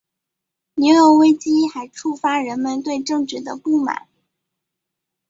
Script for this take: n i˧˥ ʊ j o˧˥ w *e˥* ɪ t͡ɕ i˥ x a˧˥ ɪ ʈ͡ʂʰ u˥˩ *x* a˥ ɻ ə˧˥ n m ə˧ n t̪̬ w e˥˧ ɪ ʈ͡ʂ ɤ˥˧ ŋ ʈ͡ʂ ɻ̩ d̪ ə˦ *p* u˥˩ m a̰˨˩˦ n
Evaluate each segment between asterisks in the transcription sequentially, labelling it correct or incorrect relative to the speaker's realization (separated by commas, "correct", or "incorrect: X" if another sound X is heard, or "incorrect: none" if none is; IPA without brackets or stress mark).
correct, incorrect: f, correct